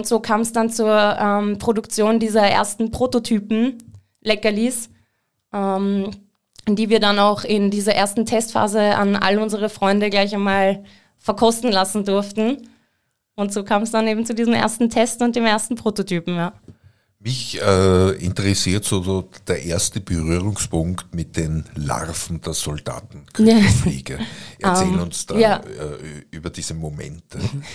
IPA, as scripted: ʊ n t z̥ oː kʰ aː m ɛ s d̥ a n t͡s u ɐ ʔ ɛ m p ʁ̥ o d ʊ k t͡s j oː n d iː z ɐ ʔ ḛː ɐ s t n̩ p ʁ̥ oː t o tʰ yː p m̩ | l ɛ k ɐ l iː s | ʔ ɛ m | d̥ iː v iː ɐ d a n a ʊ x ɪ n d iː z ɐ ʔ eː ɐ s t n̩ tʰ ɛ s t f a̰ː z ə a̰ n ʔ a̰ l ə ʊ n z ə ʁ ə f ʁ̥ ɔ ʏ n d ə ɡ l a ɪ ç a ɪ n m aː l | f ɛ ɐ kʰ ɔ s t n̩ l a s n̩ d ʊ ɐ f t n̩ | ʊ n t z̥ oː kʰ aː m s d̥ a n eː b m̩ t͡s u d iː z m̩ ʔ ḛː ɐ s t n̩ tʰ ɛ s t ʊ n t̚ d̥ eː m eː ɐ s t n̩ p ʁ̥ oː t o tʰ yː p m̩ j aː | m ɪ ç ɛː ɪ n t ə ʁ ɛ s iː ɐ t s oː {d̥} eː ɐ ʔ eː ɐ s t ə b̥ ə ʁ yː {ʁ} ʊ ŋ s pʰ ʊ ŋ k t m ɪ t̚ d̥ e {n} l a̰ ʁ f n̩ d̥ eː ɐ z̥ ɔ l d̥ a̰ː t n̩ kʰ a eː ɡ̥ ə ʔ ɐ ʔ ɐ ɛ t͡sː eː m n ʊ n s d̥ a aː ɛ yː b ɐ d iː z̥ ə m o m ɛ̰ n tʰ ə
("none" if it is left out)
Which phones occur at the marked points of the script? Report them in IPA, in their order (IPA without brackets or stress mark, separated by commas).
d̥, ʁ, n